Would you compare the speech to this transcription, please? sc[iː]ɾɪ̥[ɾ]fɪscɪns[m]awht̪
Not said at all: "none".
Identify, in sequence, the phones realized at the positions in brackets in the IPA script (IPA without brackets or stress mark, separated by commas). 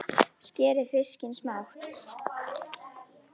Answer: ɛː, none, m